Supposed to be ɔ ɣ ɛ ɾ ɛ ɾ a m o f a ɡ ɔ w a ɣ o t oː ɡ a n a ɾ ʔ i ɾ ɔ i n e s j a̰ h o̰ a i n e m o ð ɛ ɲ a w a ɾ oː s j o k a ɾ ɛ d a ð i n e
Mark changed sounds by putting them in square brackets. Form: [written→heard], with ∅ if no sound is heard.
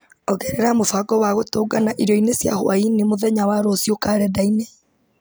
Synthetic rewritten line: ɔ ɣ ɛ ɾ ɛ ɾ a m o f a ɡ ɔ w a ɣ o t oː ɡ a n a [ɾ→∅] ʔ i ɾ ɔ i n e s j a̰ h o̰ a i n e m o ð ɛ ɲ a w a ɾ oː s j o k a ɾ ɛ d a [ð→∅] i n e